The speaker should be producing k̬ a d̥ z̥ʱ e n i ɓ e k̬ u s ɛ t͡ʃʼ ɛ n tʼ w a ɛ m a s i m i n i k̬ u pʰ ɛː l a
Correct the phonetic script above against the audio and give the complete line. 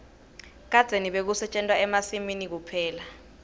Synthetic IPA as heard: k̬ a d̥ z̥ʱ e n i ɓ e k̬ u s ɛ t͡ʃʼ ɛ n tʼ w a ɛ m a s i m i n i k̬ u pʰ ɛː l a